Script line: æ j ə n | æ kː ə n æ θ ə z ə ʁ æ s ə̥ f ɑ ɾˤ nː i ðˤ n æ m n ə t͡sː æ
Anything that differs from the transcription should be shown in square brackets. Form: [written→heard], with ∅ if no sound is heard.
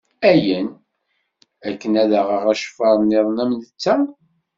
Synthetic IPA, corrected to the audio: æ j ə n | æ kː ə n æ [θ→ð] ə [z→ʁ] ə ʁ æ [s→ʃ] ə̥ f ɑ ɾˤ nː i ðˤ n æ m n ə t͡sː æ